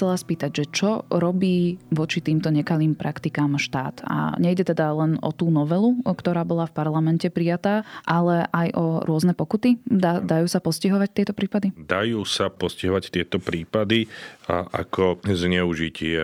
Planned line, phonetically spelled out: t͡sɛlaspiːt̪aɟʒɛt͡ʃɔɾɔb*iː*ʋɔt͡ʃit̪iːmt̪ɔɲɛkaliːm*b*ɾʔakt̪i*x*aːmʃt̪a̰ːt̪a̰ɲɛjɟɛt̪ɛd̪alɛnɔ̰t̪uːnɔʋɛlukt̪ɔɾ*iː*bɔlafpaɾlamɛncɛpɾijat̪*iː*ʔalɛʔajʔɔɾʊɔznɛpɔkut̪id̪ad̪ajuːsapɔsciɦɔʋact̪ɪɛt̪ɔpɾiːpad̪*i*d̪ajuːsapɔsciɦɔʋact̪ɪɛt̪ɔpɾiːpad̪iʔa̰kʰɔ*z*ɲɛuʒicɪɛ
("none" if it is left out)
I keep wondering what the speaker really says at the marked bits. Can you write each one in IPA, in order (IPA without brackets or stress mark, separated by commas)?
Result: iː, p, k, aː, aː, i, z